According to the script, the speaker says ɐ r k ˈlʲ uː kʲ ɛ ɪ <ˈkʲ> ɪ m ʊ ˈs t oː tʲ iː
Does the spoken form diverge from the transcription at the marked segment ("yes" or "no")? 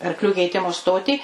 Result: yes